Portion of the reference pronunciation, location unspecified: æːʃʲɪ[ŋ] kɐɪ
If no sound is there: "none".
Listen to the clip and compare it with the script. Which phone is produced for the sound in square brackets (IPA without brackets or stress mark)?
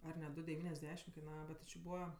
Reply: m